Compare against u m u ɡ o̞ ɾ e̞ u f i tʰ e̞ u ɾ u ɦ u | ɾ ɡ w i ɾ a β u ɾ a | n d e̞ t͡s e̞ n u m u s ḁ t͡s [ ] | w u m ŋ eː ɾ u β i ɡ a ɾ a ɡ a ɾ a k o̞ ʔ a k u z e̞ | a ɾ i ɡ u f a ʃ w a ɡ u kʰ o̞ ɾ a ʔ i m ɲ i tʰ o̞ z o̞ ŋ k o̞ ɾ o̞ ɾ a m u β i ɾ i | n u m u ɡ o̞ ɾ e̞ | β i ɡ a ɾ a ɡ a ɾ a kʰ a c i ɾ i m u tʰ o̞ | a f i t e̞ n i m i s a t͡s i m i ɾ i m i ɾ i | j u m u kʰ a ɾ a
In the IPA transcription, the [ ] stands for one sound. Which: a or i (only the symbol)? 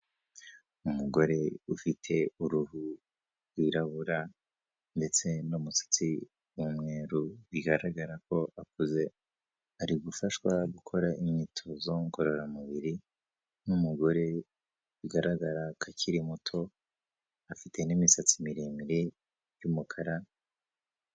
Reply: i